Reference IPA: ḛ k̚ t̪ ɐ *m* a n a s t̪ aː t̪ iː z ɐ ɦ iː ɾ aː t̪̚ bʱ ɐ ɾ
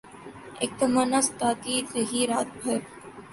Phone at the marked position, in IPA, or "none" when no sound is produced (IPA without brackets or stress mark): m